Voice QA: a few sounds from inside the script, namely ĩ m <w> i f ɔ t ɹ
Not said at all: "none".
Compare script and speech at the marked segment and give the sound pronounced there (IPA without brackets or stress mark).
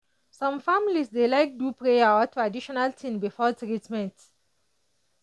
b